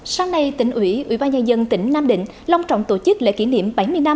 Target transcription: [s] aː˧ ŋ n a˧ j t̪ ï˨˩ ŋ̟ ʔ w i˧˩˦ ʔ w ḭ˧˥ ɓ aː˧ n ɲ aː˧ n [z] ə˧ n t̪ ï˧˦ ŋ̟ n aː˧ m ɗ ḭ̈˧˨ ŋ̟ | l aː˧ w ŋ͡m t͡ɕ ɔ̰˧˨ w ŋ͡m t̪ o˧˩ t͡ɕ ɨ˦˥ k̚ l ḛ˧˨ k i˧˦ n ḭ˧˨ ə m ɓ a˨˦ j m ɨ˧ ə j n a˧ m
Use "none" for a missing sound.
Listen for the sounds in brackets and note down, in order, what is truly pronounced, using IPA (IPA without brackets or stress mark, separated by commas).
s, z